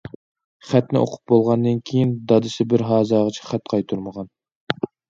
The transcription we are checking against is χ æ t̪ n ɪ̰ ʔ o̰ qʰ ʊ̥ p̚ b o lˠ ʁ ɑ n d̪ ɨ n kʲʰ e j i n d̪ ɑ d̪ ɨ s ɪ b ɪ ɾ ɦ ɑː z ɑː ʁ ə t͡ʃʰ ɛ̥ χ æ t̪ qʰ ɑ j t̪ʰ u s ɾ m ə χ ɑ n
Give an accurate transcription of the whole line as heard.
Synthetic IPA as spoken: χ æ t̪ n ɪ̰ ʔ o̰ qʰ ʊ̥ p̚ b o lˠ ʁ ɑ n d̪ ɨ n kʲʰ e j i n d̪ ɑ d̪ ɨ s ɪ b ɪ ɾ ɦ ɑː z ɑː ʁ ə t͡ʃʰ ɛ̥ χ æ t̪ qʰ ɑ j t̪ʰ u ɾ m ə ʁ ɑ n